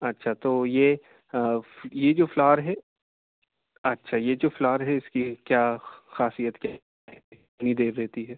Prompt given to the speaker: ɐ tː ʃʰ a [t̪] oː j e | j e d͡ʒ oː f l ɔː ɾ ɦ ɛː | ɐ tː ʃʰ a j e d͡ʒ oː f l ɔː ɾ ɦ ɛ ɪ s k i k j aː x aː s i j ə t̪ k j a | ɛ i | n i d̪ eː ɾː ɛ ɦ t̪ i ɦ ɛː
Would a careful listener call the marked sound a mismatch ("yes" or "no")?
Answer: no